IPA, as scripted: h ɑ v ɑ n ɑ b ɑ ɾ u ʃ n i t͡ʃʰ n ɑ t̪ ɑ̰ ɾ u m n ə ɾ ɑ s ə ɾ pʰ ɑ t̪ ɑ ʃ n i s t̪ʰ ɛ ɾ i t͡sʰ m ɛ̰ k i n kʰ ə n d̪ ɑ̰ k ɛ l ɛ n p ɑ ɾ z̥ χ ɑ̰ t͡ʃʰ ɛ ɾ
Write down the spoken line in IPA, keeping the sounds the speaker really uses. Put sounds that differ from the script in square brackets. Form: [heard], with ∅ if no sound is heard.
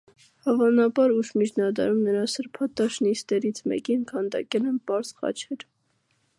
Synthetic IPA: h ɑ v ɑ n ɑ b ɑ ɾ u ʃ [m] i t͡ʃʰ n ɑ [d̪] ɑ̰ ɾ u m n ə ɾ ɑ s ə ɾ pʰ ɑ t̪ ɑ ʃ n i s [t̪] ɛ ɾ i t͡sʰ m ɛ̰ k i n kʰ [ɑ] n d̪ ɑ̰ k ɛ l ɛ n p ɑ ɾ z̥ χ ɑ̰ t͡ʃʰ ɛ ɾ

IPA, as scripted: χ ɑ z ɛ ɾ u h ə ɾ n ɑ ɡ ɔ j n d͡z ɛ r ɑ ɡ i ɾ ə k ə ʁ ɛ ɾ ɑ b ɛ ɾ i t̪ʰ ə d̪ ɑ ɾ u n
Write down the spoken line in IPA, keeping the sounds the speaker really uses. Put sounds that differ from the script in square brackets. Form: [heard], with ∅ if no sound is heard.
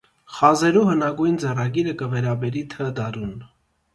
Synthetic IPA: χ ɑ z ɛ ɾ u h ə [∅] n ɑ ɡ [u] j n d͡z ɛ r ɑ ɡ i ɾ ə k ə [v] ɛ ɾ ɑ b ɛ ɾ i t̪ʰ ə d̪ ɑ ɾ u n

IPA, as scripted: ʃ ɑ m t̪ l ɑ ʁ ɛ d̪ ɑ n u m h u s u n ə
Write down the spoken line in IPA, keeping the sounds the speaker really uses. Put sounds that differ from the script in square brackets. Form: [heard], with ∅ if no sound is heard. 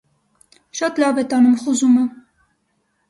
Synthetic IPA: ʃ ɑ [∅] t̪ l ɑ [v] ɛ [t̪] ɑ n u m [χ] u [z] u [m] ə

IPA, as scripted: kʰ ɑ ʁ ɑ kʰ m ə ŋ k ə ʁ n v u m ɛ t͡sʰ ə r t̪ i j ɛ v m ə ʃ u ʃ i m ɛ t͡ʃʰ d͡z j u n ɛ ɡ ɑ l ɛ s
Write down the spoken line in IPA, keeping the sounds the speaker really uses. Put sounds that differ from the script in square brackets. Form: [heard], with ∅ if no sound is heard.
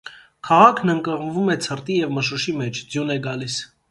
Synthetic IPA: kʰ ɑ ʁ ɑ kʰ [n] ə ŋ k ə ʁ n v u m ɛ t͡sʰ ə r t̪ i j ɛ v m ə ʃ u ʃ i m ɛ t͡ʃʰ d͡z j u n ɛ ɡ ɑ l [i] s

